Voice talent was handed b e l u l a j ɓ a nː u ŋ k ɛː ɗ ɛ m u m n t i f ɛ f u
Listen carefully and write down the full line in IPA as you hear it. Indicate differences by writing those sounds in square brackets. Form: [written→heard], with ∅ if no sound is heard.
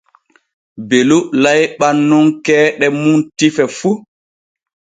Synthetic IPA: b e l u l a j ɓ a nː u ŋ k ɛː ɗ ɛ m u [m→∅] n t i f ɛ f u